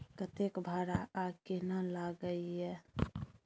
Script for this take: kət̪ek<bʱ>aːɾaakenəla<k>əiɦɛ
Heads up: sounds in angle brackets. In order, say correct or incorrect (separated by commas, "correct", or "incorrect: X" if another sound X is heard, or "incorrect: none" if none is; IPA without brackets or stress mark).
correct, incorrect: ɡ